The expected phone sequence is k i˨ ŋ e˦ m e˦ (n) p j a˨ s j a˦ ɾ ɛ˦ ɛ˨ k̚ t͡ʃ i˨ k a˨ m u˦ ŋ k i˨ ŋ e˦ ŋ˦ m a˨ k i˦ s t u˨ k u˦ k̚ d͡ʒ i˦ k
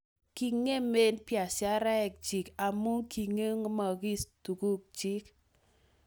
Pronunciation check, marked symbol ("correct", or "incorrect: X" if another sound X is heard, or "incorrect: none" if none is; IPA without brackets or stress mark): correct